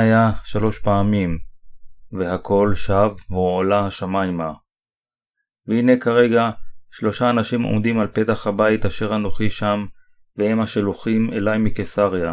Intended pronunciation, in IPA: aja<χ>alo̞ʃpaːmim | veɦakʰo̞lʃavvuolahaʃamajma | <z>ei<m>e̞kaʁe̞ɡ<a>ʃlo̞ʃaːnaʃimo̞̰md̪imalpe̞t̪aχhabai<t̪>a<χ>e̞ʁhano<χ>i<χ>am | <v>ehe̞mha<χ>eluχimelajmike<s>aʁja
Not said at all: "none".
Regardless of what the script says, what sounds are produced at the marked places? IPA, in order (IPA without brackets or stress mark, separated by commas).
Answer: ʃ, v, n, a, t̪, ʃ, χ, ʃ, v, ʃ, s